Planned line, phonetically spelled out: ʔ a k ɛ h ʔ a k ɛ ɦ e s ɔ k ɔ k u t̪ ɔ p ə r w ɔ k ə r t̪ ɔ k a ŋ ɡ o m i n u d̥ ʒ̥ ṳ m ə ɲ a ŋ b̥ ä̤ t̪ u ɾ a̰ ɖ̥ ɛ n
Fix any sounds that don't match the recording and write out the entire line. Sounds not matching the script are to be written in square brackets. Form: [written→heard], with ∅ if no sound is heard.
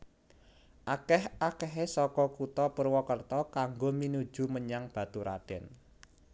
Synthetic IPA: ʔ a k ɛ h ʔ a k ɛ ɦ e s ɔ k ɔ k u t̪ ɔ p ə r w ɔ k ə r t̪ ɔ k a ŋ ɡ o m i n u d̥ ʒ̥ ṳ m ə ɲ a ŋ b̥ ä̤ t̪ u ɾ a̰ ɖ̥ ɛ n